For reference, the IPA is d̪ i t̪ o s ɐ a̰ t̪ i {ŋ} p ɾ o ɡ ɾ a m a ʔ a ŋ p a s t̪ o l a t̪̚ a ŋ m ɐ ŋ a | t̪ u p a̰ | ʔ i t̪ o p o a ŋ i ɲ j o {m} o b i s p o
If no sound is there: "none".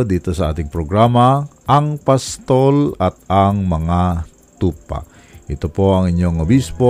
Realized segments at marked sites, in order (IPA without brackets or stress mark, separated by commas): ŋ, ŋ